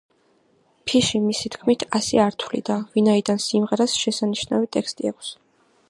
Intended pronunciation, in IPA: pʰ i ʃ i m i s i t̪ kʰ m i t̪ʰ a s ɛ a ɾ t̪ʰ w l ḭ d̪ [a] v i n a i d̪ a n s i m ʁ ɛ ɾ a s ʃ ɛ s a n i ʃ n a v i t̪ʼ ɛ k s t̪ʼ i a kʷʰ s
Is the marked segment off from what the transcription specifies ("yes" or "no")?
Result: no